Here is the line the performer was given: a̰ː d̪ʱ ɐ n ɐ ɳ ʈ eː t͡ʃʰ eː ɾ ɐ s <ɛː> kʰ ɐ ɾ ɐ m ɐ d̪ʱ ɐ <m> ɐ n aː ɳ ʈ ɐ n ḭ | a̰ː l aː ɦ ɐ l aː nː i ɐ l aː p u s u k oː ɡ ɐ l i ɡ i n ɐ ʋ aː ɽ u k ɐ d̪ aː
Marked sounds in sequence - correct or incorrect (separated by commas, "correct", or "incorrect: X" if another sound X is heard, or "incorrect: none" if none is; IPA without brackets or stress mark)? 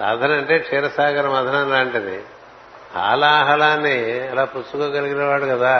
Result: incorrect: aː, incorrect: n